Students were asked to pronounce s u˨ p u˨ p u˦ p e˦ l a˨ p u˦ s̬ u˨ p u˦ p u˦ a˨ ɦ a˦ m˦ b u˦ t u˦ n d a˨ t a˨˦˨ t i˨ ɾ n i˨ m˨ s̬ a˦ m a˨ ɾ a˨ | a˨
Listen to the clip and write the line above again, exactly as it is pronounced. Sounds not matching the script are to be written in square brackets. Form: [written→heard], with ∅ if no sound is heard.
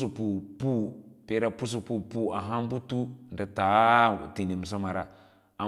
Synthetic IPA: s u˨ p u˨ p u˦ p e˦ [l→ɾ] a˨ p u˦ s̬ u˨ p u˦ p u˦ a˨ ɦ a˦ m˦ b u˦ t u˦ n d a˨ t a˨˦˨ t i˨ [ɾ→∅] n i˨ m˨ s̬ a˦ m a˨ ɾ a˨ | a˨